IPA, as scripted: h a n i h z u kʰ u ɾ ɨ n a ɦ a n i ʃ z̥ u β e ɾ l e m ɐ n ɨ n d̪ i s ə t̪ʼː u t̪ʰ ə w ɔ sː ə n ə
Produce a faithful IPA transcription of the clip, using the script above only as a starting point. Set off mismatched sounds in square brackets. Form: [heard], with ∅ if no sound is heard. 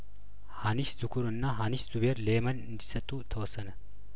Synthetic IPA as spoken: h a n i [ʃ] z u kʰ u ɾ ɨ [nː] a ɦ a n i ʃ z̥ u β e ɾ l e m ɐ n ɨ n d̪ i s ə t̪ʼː u t̪ʰ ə w ɔ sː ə n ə

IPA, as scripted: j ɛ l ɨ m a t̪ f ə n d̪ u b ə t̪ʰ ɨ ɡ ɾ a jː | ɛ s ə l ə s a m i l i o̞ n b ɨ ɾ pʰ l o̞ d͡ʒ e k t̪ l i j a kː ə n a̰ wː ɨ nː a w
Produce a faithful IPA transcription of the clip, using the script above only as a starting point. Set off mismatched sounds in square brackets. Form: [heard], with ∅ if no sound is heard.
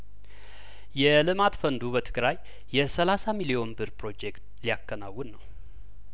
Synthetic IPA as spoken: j ɛ l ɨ m a t̪ f ə n d̪ u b ə t̪ʰ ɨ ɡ ɾ a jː | ɛ s ə l [a] s a m i l i o̞ n b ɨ ɾ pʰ [ɾ] o̞ d͡ʒ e k t̪ l i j a kː ə n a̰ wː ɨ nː [ə] w

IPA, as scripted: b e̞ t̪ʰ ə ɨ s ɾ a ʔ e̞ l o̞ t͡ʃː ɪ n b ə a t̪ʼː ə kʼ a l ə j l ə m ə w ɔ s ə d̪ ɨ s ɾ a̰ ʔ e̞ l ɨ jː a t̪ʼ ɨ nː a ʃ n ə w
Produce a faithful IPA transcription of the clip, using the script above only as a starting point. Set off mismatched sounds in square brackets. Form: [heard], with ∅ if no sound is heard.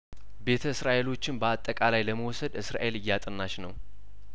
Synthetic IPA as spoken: b e̞ t̪ʰ ə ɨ s ɾ a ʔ e̞ l o̞ t͡ʃː ɪ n b ə a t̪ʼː ə kʼ a l [a] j l ə m ə w ɔ s ə d̪ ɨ s ɾ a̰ ʔ e̞ l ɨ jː a t̪ʼ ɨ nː a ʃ n ə w

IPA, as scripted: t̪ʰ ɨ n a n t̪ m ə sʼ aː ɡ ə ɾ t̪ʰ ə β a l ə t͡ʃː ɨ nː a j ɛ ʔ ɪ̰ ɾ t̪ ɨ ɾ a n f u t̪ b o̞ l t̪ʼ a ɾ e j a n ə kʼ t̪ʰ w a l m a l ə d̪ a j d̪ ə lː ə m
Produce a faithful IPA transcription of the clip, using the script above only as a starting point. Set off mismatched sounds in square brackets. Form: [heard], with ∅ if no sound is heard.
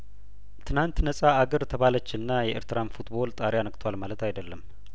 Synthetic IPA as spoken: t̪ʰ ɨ n a n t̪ [n] ə sʼ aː ɡ ə ɾ t̪ʰ ə β a l ə t͡ʃː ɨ nː a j ɛ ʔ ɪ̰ ɾ t̪ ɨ ɾ a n f u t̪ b o̞ l t̪ʼ a ɾ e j a n ə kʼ t̪ʰ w a l m a l ə [t̪] a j d̪ ə lː ə m

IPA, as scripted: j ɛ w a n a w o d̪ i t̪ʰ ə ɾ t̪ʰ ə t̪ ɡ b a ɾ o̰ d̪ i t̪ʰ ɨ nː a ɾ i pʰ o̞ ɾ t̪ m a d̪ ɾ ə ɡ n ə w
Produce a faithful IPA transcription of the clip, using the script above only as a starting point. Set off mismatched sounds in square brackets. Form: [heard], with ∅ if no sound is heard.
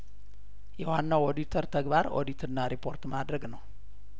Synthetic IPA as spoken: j ɛ w a [nː] a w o d̪ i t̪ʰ ə ɾ t̪ʰ ə [∅] ɡ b a ɾ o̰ d̪ i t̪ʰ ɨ nː a ɾ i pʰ o̞ ɾ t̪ m a d̪ ɾ ə ɡ n ə w

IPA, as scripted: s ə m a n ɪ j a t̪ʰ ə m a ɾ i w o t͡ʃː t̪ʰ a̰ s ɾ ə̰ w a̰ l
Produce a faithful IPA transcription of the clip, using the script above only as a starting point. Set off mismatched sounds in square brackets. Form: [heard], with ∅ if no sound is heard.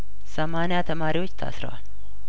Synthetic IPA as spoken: s ə m a n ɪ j a t̪ʰ ə m a ɾ i w o t͡ʃː t̪ʰ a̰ s ɾ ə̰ w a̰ l

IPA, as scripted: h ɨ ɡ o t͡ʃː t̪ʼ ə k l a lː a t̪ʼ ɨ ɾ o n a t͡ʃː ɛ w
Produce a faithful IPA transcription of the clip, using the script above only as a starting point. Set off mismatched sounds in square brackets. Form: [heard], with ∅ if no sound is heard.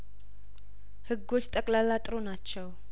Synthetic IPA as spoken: h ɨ ɡ o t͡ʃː t̪ʼ ə [kʼ] l a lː a t̪ʼ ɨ ɾ o n a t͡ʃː ɛ w

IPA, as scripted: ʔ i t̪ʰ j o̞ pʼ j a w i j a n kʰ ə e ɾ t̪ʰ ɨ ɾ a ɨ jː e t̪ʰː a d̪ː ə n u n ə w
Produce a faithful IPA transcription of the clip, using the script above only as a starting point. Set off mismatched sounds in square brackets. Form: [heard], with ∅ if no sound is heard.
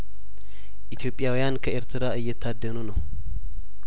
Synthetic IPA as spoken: ʔ i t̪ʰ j o̞ pʼ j a w i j a n kʰ ə e ɾ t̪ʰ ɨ ɾ a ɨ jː [ɛ] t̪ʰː a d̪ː ə n u n ə w

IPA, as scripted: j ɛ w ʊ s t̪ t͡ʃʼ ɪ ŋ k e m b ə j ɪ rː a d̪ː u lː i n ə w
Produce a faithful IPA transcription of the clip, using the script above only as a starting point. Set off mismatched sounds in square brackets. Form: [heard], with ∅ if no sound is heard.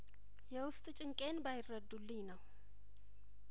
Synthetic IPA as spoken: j ɛ w ʊ s [t̪ʼ] t͡ʃʼ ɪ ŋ [kʼ] e [n] b [a] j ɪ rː [ə] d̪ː u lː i n ə w

